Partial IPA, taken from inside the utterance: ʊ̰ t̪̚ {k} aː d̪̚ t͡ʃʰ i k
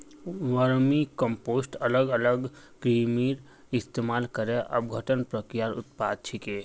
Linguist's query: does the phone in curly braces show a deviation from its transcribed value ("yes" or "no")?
yes